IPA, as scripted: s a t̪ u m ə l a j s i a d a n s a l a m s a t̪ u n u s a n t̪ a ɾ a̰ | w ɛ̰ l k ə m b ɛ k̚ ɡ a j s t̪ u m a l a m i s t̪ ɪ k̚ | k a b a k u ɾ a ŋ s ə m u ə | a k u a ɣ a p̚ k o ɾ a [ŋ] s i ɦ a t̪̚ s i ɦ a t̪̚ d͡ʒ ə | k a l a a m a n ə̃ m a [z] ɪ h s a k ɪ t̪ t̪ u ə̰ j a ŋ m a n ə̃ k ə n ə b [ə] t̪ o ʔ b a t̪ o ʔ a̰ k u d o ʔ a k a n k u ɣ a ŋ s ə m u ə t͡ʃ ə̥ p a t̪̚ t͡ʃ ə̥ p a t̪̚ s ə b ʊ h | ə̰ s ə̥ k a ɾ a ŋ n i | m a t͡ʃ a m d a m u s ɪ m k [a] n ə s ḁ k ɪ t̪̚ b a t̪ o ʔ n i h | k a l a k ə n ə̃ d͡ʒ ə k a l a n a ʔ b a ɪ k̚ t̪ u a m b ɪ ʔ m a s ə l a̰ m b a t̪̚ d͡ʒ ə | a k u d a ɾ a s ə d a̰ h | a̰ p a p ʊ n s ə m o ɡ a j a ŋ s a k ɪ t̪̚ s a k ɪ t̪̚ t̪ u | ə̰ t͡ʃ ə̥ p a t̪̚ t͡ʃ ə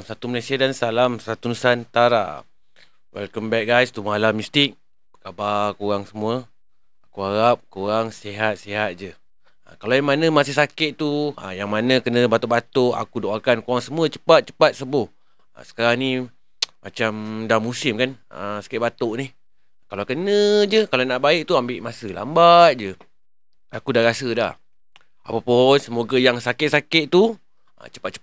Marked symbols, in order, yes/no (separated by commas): yes, no, no, yes